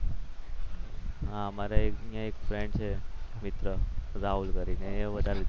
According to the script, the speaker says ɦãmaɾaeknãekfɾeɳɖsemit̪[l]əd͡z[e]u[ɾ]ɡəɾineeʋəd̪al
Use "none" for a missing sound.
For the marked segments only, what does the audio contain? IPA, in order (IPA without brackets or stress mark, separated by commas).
ɾ, a, l